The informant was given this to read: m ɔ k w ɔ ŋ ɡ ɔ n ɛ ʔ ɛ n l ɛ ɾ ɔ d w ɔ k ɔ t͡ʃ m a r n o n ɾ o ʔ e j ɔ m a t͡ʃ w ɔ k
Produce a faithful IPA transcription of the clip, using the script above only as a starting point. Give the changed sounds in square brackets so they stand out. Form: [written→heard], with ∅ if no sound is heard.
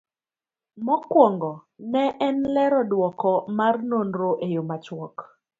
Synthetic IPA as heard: m ɔ k w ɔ ŋ ɡ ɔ n ɛ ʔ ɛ n l ɛ ɾ ɔ d w ɔ k ɔ [t͡ʃ→∅] m a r n o n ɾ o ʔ e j [ɔ→o] m a t͡ʃ w ɔ k